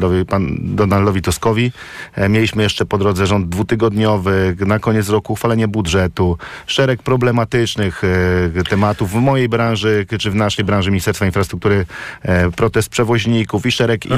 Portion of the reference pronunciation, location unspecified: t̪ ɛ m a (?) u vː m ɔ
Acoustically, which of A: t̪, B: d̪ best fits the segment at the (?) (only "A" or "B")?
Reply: A